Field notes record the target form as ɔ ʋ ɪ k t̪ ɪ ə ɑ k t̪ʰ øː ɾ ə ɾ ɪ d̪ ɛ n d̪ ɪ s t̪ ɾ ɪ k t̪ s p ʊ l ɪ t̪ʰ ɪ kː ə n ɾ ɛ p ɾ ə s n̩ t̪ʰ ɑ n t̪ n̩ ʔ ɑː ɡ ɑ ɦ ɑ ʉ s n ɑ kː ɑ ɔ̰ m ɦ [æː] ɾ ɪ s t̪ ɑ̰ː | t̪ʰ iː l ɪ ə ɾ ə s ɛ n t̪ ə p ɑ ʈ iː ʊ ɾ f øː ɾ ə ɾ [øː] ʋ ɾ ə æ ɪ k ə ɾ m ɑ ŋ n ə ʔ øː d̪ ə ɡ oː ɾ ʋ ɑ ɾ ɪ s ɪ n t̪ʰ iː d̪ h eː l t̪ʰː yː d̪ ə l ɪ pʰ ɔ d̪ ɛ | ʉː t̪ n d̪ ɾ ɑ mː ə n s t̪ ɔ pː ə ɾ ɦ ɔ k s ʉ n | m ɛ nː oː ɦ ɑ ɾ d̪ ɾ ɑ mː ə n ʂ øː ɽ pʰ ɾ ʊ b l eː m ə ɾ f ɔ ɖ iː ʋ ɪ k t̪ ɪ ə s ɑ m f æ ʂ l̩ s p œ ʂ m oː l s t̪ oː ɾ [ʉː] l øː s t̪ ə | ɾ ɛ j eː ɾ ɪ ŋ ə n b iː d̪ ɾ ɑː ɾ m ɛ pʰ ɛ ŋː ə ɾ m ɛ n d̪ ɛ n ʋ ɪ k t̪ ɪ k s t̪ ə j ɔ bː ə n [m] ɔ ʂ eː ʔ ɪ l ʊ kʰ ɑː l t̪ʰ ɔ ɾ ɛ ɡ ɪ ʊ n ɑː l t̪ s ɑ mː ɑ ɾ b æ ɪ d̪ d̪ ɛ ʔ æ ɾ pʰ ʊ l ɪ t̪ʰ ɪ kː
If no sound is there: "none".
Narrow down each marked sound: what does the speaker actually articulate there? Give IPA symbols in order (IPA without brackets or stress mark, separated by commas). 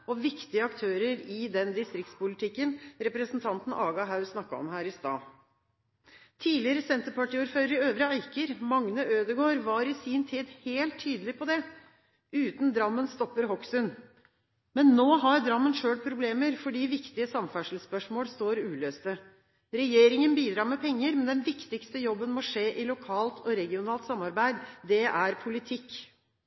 æː, øː, ʉː, m